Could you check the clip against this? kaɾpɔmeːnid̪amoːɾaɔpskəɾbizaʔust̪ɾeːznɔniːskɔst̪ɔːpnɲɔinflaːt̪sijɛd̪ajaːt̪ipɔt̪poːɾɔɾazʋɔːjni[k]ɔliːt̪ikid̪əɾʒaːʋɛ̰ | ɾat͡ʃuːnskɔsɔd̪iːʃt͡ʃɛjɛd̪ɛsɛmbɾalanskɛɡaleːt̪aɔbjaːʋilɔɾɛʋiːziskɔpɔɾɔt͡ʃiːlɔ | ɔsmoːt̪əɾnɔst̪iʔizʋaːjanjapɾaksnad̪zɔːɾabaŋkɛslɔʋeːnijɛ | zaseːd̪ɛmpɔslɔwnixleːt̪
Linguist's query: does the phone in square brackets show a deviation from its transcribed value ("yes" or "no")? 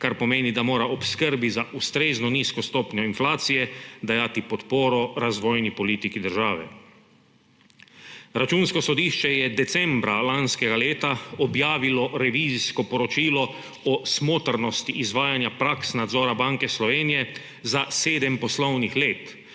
yes